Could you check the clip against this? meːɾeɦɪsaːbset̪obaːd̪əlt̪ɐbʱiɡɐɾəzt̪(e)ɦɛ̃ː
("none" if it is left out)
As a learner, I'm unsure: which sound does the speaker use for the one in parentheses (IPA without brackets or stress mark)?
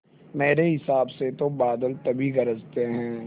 e